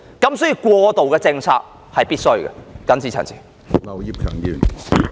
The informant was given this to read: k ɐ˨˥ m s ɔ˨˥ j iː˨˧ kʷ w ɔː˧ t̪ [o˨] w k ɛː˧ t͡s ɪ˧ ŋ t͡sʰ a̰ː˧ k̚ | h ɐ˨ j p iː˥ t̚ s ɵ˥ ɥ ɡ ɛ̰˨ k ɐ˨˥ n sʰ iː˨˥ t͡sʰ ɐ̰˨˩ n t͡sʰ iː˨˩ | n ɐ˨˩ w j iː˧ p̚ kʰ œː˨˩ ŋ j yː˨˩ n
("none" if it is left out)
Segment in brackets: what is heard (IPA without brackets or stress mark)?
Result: o˨